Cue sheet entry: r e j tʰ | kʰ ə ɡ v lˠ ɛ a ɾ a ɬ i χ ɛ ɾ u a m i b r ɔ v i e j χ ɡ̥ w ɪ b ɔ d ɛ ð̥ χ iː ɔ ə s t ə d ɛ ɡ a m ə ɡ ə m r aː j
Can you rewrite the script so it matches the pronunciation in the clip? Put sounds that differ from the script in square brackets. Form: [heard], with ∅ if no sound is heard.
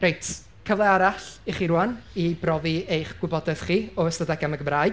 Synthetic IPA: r e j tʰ | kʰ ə [∅] v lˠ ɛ a ɾ a ɬ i χ [i] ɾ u a [n] i b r ɔ v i e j χ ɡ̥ w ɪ b ɔ d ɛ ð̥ χ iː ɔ ə s t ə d ɛ ɡ a m ə ɡ ə m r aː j